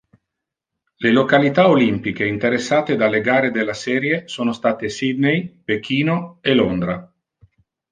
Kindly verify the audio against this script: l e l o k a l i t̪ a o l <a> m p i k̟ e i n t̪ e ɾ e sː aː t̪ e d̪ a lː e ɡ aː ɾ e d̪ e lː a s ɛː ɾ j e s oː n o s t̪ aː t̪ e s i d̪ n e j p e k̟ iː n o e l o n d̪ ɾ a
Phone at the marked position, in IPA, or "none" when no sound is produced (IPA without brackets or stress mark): i